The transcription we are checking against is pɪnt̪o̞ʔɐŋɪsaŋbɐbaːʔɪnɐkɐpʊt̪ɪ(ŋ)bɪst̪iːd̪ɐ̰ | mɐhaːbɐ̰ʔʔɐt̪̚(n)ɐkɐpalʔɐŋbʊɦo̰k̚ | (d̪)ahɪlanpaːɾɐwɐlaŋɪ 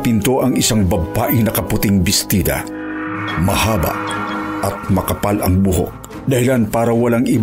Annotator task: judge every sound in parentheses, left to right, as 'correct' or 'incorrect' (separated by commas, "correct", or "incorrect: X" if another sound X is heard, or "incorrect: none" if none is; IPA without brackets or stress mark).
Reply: correct, incorrect: m, correct